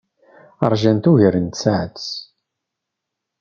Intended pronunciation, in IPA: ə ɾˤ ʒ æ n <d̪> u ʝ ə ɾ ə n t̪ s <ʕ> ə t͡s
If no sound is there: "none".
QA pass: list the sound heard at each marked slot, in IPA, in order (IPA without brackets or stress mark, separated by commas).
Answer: t̪, ʕ